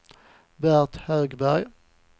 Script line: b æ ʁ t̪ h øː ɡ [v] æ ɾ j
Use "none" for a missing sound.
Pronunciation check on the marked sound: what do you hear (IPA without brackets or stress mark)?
b